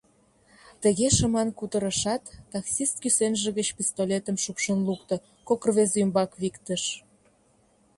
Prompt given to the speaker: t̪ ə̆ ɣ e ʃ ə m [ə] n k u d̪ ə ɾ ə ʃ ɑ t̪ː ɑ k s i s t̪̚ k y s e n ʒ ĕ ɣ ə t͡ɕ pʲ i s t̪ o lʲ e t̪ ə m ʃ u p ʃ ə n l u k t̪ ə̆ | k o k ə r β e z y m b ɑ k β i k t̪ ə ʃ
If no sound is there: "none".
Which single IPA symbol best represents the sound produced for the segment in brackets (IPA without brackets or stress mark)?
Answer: ɑ